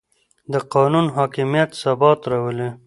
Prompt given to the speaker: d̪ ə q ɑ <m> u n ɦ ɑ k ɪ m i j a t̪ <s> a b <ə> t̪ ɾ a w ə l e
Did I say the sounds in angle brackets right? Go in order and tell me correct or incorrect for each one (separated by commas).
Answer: incorrect, correct, incorrect